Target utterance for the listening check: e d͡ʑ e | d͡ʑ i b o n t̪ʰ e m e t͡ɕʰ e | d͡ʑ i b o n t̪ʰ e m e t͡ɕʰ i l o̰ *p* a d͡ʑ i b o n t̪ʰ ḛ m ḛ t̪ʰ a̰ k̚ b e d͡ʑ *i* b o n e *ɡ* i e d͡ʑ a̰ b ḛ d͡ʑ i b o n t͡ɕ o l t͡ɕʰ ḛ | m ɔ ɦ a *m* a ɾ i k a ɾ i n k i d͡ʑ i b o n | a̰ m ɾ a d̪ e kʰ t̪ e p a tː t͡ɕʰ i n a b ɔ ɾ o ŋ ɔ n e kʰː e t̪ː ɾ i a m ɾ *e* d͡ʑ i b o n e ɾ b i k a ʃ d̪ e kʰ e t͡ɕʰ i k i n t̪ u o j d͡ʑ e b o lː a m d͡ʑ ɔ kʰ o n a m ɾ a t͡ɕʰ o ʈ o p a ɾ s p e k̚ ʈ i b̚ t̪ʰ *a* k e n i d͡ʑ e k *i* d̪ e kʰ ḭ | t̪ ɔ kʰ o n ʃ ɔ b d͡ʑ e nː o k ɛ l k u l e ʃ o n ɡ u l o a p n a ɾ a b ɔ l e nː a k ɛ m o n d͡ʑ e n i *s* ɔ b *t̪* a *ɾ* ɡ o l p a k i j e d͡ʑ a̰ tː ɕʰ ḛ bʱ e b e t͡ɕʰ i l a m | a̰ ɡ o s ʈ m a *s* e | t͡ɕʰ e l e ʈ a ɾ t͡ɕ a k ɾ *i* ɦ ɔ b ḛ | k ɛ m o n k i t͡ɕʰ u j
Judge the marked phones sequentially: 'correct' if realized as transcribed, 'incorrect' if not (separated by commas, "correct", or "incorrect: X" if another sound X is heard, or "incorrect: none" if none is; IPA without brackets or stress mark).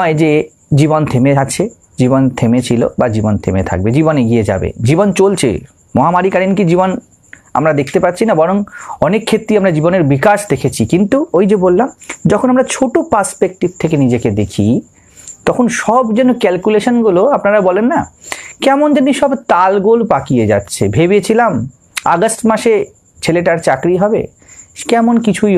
incorrect: b, correct, correct, correct, incorrect: a, incorrect: e, incorrect: e, incorrect: ʃ, correct, incorrect: l, incorrect: ʃ, correct